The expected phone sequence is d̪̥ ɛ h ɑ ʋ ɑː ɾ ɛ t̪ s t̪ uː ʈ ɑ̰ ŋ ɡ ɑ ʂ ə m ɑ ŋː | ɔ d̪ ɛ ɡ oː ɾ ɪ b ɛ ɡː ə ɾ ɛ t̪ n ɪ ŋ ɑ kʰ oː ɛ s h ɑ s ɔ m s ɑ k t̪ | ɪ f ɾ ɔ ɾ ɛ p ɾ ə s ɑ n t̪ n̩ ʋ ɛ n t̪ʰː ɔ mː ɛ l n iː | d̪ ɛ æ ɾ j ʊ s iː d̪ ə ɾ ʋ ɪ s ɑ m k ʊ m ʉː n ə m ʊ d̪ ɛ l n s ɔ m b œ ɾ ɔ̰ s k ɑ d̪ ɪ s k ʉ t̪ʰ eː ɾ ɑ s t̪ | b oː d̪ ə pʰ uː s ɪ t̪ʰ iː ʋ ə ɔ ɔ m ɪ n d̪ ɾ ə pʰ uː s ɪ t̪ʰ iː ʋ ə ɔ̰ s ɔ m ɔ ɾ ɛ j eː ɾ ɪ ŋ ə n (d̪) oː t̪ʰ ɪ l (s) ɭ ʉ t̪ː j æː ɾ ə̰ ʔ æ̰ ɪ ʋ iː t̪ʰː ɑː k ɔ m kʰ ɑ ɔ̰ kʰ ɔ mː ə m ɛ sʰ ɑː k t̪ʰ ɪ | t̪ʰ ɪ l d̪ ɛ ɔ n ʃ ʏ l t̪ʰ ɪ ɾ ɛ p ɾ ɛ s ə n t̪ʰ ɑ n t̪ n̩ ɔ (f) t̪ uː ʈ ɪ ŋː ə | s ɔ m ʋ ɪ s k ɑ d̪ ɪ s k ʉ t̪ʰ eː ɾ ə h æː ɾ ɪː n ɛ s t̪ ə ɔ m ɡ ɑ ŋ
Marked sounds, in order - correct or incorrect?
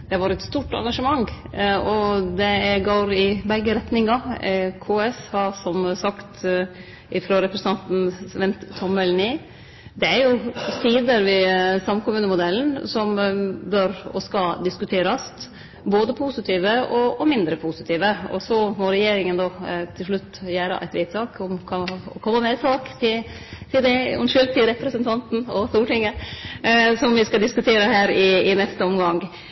correct, incorrect, incorrect

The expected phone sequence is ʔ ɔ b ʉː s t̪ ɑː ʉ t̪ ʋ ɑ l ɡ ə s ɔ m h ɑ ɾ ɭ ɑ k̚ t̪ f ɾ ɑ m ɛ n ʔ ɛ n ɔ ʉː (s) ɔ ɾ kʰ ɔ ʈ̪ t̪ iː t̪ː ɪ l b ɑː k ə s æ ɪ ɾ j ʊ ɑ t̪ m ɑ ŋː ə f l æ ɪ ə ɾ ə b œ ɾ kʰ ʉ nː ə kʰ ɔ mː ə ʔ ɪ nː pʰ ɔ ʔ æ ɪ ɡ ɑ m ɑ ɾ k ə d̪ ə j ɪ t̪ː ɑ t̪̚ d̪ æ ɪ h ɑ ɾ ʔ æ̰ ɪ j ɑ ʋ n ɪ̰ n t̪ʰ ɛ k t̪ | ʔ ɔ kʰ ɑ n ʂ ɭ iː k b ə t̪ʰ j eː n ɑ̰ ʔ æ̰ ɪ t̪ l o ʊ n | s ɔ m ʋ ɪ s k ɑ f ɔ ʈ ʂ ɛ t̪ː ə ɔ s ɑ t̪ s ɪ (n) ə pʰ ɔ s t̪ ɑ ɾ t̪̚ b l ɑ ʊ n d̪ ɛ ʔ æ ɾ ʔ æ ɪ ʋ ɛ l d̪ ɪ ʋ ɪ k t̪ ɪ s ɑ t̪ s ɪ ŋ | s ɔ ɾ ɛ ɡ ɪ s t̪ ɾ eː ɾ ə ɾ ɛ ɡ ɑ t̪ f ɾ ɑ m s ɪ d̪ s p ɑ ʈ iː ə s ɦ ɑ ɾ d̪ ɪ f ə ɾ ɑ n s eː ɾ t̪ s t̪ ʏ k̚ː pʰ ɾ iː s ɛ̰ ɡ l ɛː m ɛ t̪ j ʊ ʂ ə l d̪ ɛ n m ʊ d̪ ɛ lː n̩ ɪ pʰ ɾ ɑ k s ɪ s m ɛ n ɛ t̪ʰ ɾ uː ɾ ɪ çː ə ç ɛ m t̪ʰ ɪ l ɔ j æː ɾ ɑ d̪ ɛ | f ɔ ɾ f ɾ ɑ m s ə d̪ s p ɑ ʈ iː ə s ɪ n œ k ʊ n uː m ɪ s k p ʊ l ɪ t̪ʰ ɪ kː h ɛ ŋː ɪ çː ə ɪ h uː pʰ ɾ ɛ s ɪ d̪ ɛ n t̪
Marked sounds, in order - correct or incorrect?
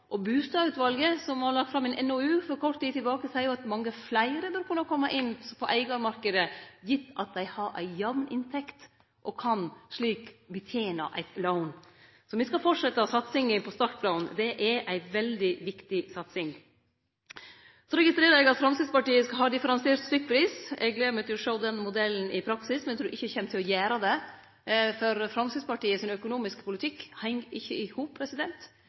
incorrect, incorrect

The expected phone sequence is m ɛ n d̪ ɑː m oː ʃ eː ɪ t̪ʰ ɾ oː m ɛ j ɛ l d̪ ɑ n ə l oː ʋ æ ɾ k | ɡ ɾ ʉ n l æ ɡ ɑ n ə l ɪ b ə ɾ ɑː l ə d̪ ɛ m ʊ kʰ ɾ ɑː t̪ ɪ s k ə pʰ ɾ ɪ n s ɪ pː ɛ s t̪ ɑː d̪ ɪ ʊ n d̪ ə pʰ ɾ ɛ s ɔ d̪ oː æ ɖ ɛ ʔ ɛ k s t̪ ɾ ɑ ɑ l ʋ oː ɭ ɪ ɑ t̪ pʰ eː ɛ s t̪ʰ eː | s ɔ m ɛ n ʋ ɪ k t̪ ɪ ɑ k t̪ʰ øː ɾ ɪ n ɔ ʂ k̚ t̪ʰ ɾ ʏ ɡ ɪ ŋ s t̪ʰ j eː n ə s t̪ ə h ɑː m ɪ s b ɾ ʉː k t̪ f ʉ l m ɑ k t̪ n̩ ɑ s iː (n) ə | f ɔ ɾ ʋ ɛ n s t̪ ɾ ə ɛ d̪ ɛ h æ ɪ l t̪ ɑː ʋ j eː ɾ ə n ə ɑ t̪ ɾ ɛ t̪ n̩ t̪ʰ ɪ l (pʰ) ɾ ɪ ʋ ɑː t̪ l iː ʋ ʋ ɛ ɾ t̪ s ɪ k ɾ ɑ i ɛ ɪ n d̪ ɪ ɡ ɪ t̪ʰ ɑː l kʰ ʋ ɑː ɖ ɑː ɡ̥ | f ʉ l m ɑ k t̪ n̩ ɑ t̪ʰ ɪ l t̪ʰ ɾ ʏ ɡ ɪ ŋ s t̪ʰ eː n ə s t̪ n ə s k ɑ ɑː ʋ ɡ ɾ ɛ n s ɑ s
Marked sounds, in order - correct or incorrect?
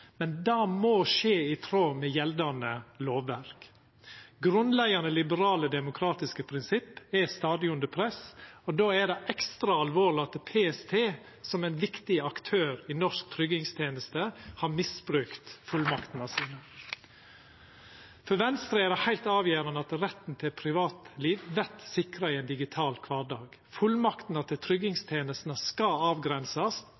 correct, correct

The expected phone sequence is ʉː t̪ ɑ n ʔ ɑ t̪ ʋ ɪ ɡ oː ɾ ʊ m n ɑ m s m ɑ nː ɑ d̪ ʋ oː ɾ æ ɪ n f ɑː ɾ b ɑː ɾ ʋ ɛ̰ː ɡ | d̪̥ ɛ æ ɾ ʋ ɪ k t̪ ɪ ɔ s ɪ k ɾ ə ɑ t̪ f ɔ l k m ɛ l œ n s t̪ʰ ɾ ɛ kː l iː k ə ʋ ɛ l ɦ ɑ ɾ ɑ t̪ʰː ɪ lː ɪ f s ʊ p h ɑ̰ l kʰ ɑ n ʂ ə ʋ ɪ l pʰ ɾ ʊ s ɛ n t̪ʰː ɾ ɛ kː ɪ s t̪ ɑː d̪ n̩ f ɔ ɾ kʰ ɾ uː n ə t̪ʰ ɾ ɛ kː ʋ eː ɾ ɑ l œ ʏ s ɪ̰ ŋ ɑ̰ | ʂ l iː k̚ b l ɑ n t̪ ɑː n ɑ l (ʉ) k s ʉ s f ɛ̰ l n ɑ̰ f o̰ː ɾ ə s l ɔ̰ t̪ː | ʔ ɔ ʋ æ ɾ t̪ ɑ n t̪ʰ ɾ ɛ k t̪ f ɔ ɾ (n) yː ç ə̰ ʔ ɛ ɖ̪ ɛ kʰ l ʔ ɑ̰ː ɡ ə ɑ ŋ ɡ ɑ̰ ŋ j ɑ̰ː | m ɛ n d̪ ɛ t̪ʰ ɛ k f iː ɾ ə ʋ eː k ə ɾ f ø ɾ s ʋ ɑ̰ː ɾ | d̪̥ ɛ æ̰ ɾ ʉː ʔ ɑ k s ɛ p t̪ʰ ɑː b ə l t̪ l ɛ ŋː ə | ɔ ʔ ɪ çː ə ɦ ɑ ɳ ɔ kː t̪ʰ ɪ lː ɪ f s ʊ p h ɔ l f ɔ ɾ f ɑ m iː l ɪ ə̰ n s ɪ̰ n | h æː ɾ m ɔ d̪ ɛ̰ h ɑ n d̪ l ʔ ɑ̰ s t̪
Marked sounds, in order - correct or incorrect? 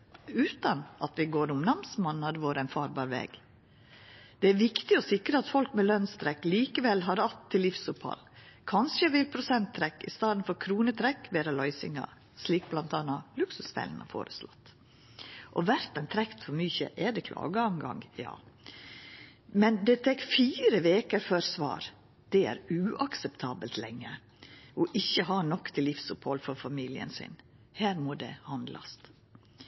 correct, incorrect

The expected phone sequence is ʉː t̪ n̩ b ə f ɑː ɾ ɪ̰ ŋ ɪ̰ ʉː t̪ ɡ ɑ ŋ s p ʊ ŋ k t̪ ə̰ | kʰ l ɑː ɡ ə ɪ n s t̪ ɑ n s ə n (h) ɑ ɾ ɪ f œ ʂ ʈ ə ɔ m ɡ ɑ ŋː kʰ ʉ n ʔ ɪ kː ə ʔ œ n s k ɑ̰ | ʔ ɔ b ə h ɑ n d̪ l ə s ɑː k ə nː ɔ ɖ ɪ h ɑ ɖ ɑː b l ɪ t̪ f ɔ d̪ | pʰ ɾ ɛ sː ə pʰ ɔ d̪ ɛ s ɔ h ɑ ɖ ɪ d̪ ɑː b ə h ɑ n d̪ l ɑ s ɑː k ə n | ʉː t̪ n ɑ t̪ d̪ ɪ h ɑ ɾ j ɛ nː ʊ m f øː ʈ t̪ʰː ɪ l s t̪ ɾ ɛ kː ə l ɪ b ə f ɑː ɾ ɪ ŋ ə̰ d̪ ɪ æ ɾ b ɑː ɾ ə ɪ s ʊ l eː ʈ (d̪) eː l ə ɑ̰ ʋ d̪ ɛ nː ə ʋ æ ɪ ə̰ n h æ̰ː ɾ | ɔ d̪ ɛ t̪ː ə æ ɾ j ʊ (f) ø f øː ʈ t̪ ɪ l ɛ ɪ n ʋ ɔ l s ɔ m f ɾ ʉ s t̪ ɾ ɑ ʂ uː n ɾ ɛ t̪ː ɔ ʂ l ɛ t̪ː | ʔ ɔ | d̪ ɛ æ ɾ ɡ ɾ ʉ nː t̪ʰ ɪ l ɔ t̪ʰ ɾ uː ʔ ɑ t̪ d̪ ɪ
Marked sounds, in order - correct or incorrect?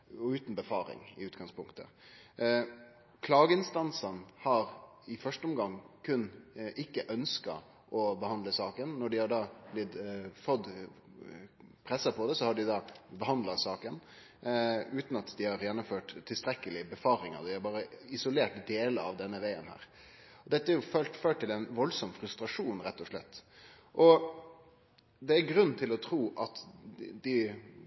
correct, correct, correct

